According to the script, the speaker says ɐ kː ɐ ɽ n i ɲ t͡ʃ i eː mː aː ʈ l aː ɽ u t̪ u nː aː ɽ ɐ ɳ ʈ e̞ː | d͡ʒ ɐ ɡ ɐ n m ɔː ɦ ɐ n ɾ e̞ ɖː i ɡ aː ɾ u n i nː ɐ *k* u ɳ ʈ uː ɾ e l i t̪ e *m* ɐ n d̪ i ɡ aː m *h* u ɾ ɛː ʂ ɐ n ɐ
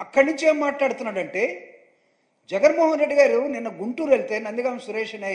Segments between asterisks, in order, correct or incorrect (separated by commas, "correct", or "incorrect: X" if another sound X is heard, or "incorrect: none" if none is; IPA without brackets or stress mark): incorrect: ɡ, incorrect: n, incorrect: s